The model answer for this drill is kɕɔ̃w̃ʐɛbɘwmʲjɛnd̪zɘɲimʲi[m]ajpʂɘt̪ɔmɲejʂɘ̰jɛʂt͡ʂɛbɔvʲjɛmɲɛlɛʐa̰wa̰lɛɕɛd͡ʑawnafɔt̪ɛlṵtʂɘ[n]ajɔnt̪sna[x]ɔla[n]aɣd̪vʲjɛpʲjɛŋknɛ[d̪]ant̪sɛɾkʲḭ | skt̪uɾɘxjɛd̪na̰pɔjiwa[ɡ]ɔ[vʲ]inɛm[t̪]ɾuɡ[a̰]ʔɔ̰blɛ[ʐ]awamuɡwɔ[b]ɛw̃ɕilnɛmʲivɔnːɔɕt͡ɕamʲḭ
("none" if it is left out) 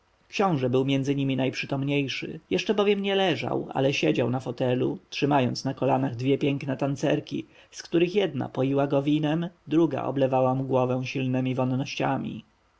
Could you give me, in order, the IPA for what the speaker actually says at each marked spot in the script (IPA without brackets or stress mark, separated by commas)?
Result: n, m, k, n, t̪, ɡ, vʲ, d̪, a̰, v, v